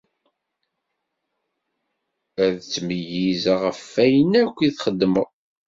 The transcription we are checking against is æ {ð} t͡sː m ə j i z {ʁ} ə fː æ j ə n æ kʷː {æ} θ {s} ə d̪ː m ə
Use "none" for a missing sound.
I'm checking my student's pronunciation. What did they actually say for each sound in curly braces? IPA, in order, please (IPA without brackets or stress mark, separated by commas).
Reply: ð, ʁ, i, χ